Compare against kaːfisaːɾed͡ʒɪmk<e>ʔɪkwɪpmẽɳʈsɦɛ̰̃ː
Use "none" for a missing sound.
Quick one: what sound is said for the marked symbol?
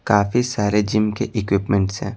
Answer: e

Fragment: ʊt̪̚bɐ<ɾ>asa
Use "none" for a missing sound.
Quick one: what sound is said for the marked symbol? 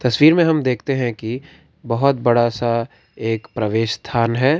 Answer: ɽ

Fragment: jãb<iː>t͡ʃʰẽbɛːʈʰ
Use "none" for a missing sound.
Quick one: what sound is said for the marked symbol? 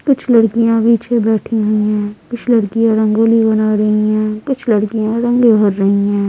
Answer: iː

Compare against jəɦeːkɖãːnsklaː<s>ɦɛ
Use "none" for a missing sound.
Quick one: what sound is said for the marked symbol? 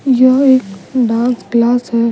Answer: s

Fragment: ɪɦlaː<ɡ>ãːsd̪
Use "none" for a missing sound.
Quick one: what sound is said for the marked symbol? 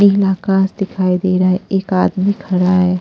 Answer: k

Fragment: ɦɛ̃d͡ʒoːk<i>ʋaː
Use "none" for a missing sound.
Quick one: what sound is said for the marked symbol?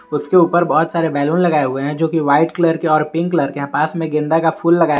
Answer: i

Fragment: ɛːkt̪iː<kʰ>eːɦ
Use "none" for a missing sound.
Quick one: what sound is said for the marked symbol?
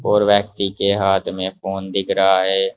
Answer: k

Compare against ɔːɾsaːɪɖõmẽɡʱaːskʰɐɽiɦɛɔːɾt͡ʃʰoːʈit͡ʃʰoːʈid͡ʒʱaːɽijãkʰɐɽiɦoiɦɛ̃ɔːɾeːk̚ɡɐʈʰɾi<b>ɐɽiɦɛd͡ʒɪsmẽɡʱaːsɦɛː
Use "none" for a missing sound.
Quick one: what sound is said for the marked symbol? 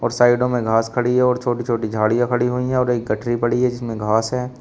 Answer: p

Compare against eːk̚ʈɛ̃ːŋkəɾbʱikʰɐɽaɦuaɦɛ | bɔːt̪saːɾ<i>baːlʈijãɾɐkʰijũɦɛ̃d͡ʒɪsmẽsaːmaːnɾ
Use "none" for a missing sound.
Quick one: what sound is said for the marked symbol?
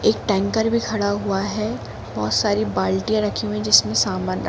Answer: i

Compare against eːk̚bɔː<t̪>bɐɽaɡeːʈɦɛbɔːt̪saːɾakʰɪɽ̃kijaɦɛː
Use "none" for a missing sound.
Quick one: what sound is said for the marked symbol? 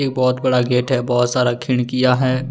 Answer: t̪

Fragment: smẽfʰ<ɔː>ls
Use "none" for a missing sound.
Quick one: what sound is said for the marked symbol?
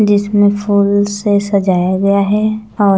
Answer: uː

